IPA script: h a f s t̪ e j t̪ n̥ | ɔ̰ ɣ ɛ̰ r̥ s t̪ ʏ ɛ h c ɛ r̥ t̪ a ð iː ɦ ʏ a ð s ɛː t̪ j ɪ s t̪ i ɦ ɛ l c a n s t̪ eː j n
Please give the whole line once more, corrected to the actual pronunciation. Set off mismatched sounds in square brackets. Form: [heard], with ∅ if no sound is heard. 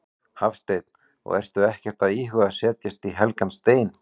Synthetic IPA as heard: h a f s t̪ e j t̪ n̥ | ɔ̰ ɣ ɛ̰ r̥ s t̪ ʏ ɛ h c ɛ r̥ t̪ a ð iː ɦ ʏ a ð s ɛː t̪ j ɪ s t̪ i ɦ ɛ l [k] a n s t̪ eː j n